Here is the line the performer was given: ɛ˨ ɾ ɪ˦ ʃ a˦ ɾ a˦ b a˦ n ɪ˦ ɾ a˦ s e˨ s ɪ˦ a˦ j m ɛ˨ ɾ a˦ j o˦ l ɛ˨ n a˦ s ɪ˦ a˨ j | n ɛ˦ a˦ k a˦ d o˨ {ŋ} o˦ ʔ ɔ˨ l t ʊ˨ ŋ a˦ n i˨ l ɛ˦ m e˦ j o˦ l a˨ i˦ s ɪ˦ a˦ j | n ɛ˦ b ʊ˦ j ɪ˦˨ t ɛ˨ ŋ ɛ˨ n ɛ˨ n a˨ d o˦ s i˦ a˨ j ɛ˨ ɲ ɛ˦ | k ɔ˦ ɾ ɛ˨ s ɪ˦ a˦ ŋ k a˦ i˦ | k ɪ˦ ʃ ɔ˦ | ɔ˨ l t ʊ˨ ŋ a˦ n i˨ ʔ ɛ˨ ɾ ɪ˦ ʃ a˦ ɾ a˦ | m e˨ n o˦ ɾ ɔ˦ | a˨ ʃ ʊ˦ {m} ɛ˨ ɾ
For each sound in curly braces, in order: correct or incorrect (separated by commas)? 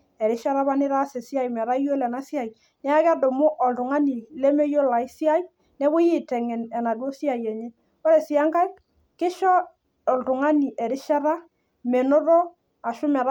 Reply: incorrect, correct